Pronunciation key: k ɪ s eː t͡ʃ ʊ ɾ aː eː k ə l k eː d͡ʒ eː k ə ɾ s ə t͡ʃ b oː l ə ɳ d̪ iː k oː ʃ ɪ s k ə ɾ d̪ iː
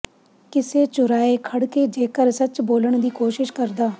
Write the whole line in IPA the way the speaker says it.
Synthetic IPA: k ɪ s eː t͡ʃ ʊ ɾ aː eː kʰ ə ɽ k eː d͡ʒ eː k ə ɾ s ə t͡ʃ b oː l ə ɳ d̪ iː k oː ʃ ɪ ʃ k ə ɾ d̪ aː